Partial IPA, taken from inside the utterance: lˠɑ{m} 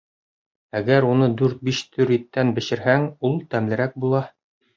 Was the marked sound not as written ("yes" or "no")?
yes